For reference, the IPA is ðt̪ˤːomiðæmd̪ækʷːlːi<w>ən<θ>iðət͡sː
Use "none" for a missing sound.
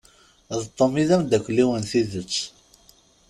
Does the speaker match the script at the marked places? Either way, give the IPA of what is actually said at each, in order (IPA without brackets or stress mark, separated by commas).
w, θ